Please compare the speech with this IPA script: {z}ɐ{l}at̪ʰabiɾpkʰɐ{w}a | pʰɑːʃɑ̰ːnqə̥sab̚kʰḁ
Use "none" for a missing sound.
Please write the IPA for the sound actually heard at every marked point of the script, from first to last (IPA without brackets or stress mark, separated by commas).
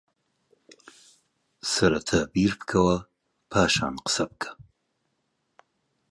s, ɾ, w